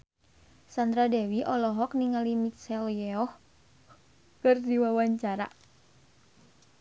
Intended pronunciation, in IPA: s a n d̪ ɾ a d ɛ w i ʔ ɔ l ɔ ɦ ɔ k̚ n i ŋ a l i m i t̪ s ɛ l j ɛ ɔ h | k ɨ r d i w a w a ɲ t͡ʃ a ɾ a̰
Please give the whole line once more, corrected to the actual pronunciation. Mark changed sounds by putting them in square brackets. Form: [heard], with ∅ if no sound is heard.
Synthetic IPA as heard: s a n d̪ ɾ a d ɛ w i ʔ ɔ l ɔ ɦ ɔ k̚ n i ŋ a l i m i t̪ s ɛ l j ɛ ɔ h | k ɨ r d i w a w a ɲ t͡ʃ a ɾ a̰